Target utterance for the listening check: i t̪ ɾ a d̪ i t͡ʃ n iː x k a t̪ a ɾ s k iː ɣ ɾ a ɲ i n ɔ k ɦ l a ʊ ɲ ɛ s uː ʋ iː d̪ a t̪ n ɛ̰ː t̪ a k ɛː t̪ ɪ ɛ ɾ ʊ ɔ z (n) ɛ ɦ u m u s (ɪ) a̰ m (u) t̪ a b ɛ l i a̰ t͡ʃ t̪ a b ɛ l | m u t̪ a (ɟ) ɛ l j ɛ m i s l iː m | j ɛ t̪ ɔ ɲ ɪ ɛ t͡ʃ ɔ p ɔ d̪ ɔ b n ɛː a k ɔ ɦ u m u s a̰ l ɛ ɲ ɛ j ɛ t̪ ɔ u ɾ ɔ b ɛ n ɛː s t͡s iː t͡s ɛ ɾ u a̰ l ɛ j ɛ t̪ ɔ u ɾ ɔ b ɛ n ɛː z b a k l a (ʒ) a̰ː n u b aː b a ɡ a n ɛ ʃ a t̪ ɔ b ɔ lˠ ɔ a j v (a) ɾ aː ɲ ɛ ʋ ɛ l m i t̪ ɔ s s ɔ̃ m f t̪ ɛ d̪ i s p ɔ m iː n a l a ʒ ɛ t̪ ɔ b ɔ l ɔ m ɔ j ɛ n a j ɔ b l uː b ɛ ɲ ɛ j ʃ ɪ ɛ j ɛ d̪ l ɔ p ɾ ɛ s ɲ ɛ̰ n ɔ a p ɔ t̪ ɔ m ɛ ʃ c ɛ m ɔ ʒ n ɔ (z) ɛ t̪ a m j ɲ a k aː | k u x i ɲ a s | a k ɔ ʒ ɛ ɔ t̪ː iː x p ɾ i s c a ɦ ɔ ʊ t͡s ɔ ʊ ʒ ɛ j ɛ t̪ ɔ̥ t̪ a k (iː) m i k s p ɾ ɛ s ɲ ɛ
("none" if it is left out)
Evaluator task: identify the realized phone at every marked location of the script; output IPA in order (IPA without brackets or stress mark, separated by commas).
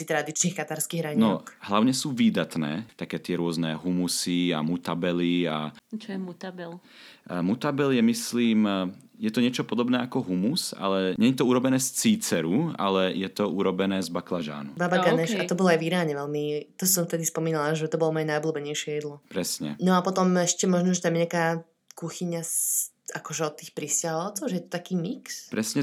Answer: n, i, u, b, ʒ, i, ʒ, iː